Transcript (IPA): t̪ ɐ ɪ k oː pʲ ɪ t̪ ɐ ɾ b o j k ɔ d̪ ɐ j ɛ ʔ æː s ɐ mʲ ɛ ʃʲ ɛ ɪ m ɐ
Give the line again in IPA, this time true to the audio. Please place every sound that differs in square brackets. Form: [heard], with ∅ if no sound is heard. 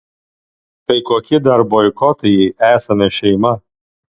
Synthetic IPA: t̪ ɐ ɪ k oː [kʲ] ɪ [d̪] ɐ ɾ b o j k ɔ [t̪] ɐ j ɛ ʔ æː s ɐ mʲ ɛ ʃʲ ɛ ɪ m ɐ